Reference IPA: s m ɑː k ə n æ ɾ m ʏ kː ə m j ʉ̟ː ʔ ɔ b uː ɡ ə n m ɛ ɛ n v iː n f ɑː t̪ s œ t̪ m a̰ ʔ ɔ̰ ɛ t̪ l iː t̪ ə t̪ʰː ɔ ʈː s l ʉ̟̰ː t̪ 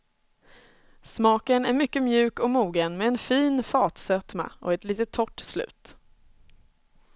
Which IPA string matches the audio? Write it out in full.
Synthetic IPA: s m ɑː k ə n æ ɾ m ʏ kː ə m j ʉ̟ː k ɔ m uː ɡ ə n m ɛ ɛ n f iː n f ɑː t̪ s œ t̪ m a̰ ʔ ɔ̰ ɛ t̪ l iː t̪ ə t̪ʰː ɔ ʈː s l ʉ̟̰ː t̪